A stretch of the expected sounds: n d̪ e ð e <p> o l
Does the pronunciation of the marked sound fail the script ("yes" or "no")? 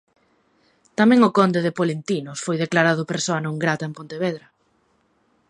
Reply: no